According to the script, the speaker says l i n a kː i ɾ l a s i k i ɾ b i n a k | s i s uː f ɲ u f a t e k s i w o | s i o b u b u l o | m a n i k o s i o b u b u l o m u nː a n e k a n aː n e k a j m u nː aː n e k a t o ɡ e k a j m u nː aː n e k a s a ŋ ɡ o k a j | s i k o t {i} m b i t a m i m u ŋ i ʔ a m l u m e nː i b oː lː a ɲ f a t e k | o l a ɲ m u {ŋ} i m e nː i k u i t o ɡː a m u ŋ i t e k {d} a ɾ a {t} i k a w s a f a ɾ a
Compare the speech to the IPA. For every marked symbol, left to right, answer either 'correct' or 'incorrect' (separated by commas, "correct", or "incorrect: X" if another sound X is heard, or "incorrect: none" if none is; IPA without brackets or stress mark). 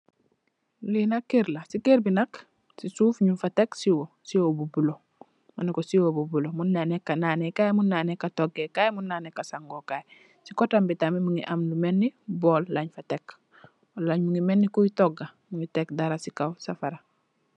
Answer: incorrect: a, correct, correct, incorrect: s